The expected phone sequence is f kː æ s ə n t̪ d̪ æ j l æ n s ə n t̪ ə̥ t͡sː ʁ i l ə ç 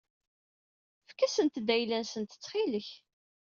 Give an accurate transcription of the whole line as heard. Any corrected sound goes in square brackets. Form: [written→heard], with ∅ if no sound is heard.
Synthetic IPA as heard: f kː æ s ə n t̪ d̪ æ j l æ n s ə n t̪ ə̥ t͡sː [ʁ→χ] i l ə ç